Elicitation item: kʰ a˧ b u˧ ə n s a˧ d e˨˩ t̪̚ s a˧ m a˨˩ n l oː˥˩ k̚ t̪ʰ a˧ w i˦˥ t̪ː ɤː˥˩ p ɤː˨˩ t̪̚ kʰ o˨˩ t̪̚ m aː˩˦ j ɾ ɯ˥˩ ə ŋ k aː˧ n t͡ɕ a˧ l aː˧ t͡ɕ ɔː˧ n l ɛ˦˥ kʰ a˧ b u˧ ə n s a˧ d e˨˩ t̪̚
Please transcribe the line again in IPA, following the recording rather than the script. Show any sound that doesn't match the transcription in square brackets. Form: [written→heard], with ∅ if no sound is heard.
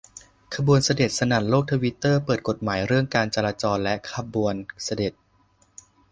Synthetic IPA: kʰ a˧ b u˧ ə n s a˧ d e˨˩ t̪̚ s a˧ [m→n] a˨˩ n l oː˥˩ k̚ t̪ʰ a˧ w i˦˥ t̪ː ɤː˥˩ p ɤː˨˩ t̪̚ [kʰ→k] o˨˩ t̪̚ m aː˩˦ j ɾ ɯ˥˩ ə ŋ k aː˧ n t͡ɕ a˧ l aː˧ t͡ɕ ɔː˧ n l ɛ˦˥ kʰ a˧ b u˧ ə n s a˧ d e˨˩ t̪̚